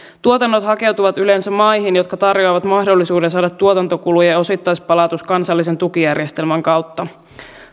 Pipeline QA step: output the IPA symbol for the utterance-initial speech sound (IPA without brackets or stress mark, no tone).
t̪